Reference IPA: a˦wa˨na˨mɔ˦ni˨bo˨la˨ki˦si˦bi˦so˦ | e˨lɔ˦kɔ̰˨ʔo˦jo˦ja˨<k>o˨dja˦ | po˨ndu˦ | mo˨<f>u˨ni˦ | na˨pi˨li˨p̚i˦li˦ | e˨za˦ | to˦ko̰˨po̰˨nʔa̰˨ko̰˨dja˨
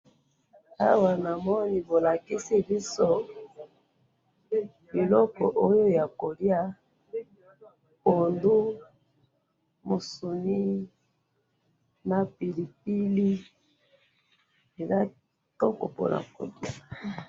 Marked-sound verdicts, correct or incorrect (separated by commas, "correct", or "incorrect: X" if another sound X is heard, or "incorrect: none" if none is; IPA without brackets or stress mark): correct, incorrect: s